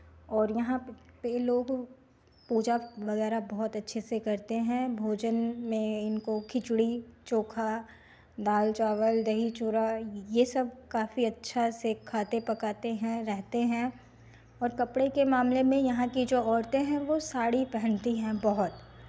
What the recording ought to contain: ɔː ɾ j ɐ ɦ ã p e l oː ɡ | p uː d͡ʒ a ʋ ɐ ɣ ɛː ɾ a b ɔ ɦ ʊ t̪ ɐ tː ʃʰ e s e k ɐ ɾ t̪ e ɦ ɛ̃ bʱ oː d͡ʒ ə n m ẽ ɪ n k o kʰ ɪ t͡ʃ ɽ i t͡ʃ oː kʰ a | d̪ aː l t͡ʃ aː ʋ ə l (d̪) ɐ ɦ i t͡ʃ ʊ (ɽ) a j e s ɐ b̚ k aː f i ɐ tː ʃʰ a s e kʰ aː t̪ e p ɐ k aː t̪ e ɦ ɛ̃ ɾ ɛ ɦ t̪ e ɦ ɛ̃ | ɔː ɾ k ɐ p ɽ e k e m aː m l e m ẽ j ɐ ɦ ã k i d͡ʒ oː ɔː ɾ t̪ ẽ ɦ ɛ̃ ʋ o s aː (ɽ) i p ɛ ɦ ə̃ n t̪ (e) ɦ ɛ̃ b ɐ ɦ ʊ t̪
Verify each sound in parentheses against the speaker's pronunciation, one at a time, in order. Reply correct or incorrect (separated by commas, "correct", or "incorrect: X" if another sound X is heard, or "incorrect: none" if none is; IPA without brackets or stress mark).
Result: correct, incorrect: ɾ, correct, incorrect: i